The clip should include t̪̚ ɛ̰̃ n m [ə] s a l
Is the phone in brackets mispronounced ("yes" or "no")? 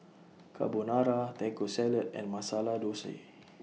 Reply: yes